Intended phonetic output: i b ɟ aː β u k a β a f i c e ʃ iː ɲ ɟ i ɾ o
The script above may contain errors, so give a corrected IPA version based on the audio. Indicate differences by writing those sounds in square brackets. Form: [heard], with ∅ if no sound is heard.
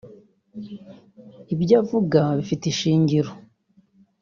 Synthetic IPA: i b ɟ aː [v] u [ɡ] a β [i] f i [t] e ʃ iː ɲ ɟ i ɾ o